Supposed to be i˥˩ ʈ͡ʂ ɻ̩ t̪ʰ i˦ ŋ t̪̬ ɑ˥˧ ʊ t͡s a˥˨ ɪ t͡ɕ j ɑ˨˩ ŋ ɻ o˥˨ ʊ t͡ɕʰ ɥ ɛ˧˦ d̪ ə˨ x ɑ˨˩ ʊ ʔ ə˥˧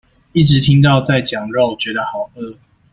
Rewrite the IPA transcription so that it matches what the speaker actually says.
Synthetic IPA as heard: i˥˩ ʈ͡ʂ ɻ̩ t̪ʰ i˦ ŋ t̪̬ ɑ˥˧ ʊ t͡s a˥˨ ɪ t͡ɕ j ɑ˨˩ ŋ ɻ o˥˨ ʊ t͡ɕ ɥ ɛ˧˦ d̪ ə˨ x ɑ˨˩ ʊ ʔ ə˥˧